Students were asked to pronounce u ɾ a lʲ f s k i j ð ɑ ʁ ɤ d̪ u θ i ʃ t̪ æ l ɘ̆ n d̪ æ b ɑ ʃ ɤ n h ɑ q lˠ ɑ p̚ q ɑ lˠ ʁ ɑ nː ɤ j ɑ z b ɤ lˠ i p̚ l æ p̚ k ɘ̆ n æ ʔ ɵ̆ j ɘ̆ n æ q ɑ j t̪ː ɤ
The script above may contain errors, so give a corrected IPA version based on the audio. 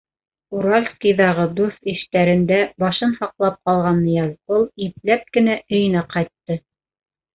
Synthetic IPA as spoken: u ɾ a lʲ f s k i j ð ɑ ʁ ɤ d̪ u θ i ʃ t̪ æ ɾ ɘ̆ n d̪ æ b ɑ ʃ ɤ n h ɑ q lˠ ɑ p̚ q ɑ lˠ ʁ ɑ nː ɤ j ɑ z b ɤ lˠ i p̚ l æ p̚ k ɘ̆ n æ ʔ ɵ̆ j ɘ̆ n æ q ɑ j t̪ː ɤ